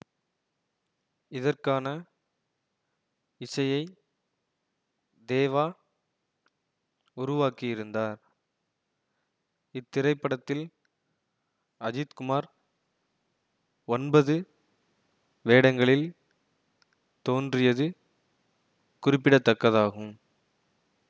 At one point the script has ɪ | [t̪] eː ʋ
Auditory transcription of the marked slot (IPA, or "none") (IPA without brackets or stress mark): d̪